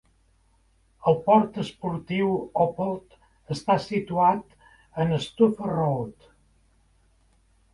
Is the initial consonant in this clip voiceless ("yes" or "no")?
no